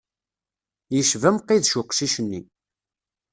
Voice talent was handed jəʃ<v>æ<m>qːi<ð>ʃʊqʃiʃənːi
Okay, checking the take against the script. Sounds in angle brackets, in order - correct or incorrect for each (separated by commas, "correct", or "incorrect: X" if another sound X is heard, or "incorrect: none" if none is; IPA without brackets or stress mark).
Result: correct, correct, correct